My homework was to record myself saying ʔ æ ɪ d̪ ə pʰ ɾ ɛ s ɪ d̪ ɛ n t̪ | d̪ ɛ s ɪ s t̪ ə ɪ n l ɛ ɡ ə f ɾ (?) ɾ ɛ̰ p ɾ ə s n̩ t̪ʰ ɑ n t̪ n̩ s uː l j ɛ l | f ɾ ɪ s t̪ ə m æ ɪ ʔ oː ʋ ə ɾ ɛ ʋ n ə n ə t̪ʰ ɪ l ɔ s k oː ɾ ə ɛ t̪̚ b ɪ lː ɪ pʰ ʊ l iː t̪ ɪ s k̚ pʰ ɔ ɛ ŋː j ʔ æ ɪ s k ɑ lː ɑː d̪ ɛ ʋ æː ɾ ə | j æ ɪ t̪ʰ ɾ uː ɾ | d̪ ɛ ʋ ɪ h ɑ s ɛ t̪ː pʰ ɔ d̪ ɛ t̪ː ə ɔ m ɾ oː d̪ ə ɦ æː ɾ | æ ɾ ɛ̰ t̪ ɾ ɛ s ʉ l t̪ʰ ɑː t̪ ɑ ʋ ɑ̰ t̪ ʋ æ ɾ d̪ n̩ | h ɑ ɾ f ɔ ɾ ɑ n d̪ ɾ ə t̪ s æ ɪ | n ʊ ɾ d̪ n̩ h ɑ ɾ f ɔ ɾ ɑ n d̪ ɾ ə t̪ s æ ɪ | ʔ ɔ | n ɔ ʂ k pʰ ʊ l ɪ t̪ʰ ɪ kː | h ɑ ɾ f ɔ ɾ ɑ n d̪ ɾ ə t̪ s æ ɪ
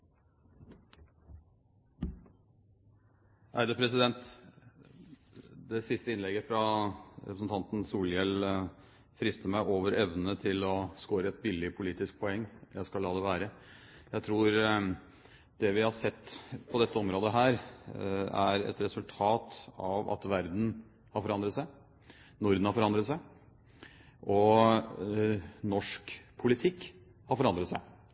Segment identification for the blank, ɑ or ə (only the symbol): ɑ